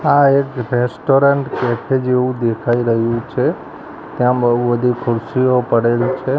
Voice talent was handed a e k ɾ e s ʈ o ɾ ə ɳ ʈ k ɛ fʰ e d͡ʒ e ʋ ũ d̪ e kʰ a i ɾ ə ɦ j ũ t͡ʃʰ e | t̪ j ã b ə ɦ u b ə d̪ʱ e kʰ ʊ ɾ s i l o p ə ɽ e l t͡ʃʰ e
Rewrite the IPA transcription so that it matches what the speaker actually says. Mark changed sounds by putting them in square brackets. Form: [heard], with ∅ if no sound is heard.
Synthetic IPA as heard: a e k ɾ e s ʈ o ɾ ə ɳ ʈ k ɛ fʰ e d͡ʒ e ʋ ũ d̪ e kʰ a i ɾ ə ɦ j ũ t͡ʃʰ e | t̪ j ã b ə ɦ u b ə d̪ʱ [i] kʰ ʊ ɾ s i [∅] o p ə ɽ e l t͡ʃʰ e